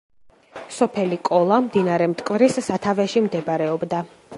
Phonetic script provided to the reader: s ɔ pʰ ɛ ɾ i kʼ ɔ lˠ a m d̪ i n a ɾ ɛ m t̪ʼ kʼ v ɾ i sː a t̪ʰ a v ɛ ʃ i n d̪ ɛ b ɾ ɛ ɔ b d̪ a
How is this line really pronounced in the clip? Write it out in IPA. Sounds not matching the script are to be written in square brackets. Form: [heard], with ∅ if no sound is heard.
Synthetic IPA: s ɔ pʰ ɛ [l] i kʼ ɔ lˠ a m d̪ i n a ɾ ɛ m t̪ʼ kʼ v ɾ i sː a t̪ʰ a v ɛ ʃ i [m] d̪ ɛ b ɾ ɛ ɔ b d̪ a